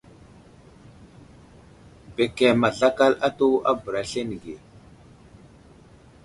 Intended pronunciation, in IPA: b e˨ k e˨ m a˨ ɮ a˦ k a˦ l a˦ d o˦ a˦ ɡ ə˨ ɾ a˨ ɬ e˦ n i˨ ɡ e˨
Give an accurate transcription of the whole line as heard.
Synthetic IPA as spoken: b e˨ k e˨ m a˨ ɮ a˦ k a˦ l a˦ t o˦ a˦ b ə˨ ɾ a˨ ɬ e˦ n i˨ ɡ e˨